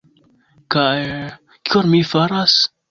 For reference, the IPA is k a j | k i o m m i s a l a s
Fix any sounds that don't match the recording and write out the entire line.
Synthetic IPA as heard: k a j | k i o n m i f a ɾ a s